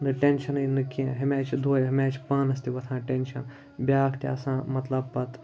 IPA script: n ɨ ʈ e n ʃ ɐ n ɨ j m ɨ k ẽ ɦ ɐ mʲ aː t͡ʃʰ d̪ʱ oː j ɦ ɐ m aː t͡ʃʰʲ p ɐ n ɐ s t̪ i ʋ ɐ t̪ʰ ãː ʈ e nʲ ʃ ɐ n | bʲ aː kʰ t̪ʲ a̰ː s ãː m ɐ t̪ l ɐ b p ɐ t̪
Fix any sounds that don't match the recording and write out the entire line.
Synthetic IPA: n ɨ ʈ e n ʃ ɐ n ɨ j n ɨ k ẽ ɦ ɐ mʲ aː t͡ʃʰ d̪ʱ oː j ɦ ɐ m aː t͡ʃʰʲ p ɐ n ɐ s t̪ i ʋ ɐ t̪ʰ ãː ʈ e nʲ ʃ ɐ n | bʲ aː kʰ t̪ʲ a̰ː s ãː m ɐ t̪ l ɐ b p ɐ t̪